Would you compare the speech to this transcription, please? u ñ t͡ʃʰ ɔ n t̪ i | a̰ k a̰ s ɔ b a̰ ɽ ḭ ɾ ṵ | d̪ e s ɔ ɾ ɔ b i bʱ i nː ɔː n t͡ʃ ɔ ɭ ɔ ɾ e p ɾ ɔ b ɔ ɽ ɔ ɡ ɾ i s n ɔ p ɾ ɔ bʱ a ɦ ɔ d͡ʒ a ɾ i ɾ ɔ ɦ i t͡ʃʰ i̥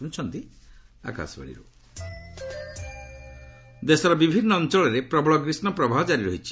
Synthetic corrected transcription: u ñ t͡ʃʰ ɔ n t̪ i | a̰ k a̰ s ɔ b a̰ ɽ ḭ ɾ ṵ | d̪ e s ɔ ɾ ɔ b i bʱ i nː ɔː n t͡ʃ ɔ ɭ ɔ ɾ e p ɾ ɔ b ɔ ɭ ɔ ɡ ɾ i s n ɔ p ɾ ɔ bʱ a ɦ ɔ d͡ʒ a ɾ i ɾ ɔ ɦ i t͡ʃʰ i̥

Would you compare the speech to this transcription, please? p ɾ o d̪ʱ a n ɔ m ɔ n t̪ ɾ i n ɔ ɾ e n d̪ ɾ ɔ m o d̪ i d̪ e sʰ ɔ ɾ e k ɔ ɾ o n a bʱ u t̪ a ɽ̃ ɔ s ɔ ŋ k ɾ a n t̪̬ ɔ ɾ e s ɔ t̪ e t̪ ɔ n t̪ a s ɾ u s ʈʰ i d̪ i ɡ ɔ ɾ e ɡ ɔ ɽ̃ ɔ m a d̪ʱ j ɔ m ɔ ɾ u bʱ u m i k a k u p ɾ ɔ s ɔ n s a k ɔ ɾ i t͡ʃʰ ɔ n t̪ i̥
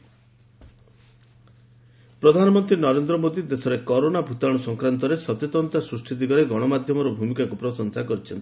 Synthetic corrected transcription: p ɾ ɔ d̪ʱ a n ɔ m ɔ n t̪ ɾ i n ɔ ɾ e n d̪ ɾ ɔ m o d̪ i d̪ e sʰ ɔ ɾ e k ɔ ɾ o n a bʱ u t̪ a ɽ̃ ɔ s ɔ ŋ k ɾ a n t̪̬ ɔ ɾ e s ɔ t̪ e t̪ ɔ n t̪ a s ɾ u s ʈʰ i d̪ i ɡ ɔ ɾ e ɡ ɔ ɽ̃ ɔ m a d̪ʱ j ɔ m ɔ ɾ ɔ bʱ u m i k a k u p ɾ ɔ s ɔ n s a k ɔ ɾ i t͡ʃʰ ɔ n t̪ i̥

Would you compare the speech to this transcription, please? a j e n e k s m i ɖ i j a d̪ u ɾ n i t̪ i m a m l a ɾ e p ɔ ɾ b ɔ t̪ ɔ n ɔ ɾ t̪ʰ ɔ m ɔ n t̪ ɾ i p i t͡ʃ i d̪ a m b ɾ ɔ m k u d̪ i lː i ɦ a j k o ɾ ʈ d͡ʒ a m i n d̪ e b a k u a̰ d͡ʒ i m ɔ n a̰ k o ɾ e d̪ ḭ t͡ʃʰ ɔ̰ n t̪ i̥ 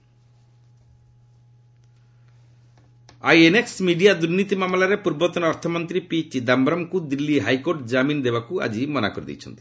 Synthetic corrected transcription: a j e n e k s m i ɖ i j a d̪ u ɾ n i t̪ i m a m l a ɾ e p u ɾ b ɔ t̪ ɔ n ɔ ɾ t̪ʰ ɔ m ɔ n t̪ ɾ i p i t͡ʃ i d̪ a m b ɾ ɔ m k u d̪ i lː i ɦ a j k o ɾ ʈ d͡ʒ a m i n d̪ e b a k u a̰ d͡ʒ i m ɔ n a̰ k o ɾ i d̪ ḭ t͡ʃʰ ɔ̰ n t̪ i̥

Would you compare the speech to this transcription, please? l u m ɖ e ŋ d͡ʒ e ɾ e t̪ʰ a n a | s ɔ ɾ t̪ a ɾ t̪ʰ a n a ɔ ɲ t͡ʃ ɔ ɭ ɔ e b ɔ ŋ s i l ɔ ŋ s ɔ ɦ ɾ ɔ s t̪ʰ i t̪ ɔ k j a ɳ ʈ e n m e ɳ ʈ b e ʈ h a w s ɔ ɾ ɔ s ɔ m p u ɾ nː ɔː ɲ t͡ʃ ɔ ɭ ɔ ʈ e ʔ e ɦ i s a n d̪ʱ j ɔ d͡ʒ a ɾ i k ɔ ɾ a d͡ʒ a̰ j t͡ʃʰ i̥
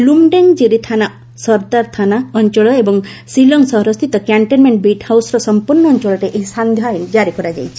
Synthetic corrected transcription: l u m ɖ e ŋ d͡ʒ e ɾ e t̪ʰ a n a | s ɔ ɾ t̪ a ɾ t̪ʰ a n a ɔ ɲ t͡ʃ ɔ ɭ ɔ e b ɔ ŋ s i l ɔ ŋ s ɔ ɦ ɾ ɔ s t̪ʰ i t̪ ɔ k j a ɳ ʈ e n m e ɳ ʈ b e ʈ h a w s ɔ ɾ ɔ s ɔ m p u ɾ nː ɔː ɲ t͡ʃ ɔ ɭ ɔ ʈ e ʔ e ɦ i s a n d̪ʱ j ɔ d͡ʒ a ɾ i k ɔ ɾ a d͡ʒ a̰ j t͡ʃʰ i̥

